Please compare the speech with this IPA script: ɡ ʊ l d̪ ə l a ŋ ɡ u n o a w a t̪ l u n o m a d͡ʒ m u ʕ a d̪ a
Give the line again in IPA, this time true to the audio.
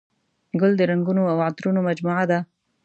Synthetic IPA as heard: ɡ ʊ l d̪ ə ɾ a ŋ ɡ u n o a w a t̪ ɾ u n o m a d͡ʒ m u ʕ a d̪ a